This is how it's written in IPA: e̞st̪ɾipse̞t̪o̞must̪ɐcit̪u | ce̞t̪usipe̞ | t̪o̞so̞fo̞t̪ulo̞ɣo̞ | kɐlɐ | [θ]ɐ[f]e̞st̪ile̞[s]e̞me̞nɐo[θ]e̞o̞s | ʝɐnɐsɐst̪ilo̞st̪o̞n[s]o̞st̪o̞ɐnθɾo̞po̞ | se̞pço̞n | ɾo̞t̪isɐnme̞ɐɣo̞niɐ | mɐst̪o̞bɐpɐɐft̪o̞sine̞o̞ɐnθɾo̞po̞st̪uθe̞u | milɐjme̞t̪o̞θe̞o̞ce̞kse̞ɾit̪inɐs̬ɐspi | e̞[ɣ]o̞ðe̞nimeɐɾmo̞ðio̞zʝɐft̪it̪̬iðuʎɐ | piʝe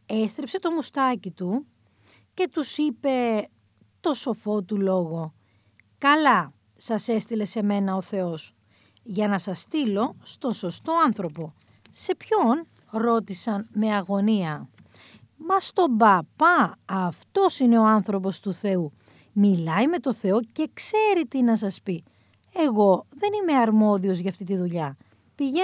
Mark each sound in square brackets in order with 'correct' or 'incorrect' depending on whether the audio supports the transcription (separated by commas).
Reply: incorrect, incorrect, correct, correct, correct, correct